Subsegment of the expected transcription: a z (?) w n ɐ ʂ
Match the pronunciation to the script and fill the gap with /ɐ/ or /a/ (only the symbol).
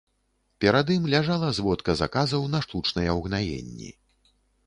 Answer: ɐ